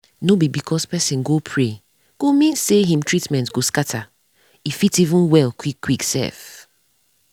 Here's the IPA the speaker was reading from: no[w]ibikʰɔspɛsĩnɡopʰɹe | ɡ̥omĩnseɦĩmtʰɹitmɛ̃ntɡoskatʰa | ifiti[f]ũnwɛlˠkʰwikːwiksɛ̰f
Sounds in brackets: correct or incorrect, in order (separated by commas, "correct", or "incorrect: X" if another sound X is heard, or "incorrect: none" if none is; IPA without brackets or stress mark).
incorrect: b, incorrect: v